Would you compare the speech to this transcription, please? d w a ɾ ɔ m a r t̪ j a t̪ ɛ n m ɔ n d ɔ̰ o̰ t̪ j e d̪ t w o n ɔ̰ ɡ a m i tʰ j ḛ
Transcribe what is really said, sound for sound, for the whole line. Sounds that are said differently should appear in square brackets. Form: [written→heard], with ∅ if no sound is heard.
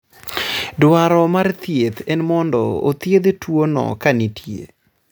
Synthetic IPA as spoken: d w a ɾ ɔ m a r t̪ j [a→e] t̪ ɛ n m ɔ n d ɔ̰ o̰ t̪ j e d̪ t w o n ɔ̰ [ɡ→k] a [m→n] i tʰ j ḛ